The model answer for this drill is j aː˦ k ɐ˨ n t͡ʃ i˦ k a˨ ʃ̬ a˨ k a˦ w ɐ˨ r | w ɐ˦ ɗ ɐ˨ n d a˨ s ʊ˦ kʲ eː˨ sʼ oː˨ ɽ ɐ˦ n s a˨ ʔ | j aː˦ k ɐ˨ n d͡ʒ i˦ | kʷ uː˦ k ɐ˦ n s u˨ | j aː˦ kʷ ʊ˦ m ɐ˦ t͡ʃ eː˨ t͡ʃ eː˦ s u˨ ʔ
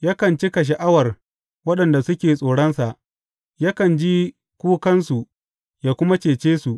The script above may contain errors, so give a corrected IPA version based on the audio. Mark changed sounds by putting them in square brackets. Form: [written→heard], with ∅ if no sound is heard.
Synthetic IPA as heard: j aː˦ k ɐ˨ n t͡ʃ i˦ k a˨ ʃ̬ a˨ [k→ʔ] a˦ w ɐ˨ r | w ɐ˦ ɗ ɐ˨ n d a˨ s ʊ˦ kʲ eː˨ sʼ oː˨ ɽ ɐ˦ n s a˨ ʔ | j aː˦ k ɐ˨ n d͡ʒ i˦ | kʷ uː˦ k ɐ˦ n s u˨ | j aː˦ kʷ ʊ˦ m [ɐ˦→a˦] t͡ʃ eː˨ t͡ʃ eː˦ s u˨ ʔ